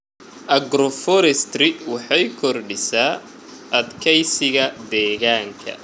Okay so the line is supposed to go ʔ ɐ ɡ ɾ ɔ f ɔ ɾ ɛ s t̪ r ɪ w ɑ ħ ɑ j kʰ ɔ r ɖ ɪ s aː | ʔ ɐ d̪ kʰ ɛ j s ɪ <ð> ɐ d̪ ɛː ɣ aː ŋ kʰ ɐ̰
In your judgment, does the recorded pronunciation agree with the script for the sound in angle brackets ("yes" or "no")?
no